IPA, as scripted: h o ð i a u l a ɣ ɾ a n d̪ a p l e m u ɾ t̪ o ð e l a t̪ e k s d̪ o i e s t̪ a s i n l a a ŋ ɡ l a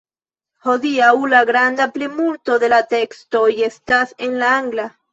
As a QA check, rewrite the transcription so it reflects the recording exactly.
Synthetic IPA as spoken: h o ð i a u l a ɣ ɾ a n d̪ a p l e m u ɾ t̪ o ð e l a t̪ e k s t̪ o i e s t̪ a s e n l a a ŋ ɡ l a